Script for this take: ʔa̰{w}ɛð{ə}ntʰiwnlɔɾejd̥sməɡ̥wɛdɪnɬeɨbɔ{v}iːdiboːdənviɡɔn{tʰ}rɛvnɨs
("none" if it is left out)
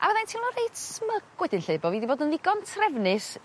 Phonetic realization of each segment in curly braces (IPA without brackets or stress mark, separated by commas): v, a, v, tʰ